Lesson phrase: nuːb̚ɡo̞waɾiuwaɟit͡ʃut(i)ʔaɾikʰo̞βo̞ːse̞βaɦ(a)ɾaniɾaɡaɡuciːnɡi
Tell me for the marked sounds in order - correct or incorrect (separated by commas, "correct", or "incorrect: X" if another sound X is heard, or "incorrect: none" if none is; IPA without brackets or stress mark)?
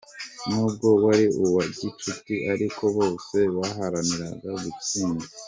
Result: correct, correct